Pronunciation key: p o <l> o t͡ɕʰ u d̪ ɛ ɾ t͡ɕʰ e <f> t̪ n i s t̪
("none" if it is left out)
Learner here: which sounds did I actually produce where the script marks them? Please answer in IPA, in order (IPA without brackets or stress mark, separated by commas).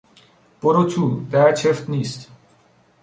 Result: ɾ, f